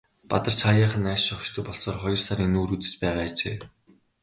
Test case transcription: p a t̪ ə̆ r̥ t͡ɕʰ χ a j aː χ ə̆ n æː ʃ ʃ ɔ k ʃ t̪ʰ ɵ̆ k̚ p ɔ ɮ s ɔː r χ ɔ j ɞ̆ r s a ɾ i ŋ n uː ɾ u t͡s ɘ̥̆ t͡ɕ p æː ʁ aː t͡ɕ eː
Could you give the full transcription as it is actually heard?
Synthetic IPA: p a t̪ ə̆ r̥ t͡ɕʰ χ a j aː χ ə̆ n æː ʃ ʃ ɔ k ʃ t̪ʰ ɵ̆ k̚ p ɔ ɮ s ɔː r χ ɔ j ɞ̆ r s a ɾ i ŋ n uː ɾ u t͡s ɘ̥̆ t͡ɕ p æː ʁ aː t͡ɕ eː